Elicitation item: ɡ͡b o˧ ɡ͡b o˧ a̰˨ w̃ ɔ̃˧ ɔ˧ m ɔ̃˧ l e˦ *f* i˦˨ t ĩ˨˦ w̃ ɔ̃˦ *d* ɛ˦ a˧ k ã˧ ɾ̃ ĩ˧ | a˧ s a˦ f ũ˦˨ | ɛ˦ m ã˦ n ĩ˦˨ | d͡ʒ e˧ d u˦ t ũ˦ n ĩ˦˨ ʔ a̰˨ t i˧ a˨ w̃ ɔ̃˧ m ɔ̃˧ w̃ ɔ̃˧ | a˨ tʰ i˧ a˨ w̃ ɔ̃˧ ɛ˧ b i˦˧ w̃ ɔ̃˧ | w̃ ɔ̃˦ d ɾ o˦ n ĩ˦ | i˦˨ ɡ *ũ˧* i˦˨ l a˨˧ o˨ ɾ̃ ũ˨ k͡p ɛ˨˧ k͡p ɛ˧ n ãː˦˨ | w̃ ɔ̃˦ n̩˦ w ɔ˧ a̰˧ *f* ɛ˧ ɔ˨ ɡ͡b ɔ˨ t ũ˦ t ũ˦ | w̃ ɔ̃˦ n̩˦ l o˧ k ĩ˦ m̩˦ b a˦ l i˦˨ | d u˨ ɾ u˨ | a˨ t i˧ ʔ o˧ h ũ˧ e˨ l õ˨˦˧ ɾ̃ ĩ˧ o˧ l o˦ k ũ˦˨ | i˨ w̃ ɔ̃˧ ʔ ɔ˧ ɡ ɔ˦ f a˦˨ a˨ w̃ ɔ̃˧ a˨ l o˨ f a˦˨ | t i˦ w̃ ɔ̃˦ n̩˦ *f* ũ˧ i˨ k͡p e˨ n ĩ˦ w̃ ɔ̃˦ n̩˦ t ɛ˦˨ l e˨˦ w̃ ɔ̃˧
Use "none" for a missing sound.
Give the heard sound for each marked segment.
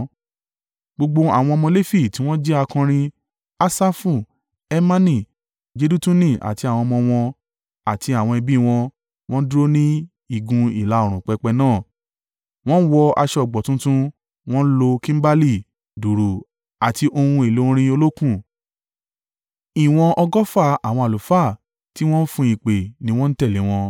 f, d͡ʒ, ũ˧, ʃ, f

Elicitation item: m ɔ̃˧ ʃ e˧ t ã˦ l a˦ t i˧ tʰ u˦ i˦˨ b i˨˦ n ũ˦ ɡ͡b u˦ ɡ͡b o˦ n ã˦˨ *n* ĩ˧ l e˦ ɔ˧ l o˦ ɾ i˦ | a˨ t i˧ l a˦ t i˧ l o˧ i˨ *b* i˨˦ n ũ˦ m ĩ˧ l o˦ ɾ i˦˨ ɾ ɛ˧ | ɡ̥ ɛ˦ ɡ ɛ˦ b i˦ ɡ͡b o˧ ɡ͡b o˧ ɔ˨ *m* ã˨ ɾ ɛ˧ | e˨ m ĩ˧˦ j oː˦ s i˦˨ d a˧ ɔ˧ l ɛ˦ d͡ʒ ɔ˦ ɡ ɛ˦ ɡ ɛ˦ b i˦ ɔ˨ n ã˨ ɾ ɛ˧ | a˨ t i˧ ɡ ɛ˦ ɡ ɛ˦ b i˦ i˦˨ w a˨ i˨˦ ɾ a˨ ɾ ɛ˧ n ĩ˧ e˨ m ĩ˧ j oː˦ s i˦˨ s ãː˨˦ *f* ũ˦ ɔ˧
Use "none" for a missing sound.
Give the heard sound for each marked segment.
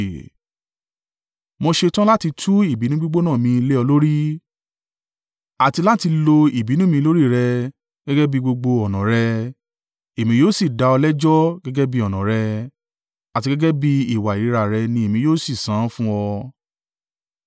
m, b, n, f

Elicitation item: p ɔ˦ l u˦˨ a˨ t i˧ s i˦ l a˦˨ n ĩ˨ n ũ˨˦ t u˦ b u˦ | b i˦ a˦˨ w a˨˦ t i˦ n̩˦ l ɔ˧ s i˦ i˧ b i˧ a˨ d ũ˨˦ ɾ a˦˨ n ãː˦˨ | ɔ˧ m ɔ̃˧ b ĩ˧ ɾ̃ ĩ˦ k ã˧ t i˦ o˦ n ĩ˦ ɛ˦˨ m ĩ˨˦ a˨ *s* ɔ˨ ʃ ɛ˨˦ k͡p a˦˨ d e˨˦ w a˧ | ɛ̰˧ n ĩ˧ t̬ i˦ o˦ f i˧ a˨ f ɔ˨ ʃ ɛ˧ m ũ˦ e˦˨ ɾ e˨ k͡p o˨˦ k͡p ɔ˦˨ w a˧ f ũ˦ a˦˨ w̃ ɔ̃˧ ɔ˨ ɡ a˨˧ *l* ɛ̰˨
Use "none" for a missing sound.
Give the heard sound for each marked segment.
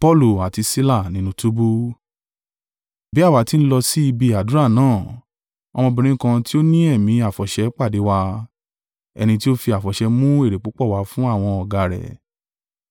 f, ɾ

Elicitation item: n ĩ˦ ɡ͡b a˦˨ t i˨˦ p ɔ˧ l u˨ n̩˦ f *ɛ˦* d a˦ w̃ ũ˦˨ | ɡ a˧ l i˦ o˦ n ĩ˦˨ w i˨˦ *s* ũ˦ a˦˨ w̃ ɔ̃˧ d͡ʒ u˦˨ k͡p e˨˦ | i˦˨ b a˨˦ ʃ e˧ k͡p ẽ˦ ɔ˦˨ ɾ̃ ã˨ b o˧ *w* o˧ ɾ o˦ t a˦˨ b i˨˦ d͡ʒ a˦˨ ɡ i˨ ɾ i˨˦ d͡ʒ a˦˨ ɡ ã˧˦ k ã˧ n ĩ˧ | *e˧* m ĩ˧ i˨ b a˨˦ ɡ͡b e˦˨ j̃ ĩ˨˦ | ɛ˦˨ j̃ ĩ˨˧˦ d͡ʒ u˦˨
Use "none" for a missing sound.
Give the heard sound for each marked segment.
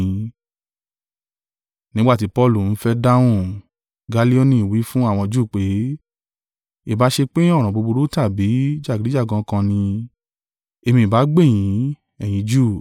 ɛ˦, f, b, e˧

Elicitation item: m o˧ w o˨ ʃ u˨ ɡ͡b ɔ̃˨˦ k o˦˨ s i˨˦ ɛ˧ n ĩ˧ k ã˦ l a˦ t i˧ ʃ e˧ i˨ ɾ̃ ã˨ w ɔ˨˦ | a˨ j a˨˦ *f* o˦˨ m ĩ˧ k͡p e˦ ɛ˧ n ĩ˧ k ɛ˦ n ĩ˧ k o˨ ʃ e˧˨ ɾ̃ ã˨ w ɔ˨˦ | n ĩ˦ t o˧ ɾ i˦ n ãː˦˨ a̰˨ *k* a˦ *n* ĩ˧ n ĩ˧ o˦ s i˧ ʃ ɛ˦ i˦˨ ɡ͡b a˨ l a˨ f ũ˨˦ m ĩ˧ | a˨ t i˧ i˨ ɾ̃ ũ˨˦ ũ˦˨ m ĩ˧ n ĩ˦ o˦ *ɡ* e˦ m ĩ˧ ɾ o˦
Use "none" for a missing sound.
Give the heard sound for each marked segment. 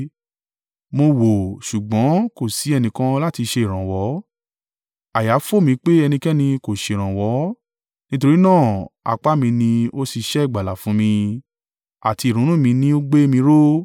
f, k͡p, m, ɡ͡b

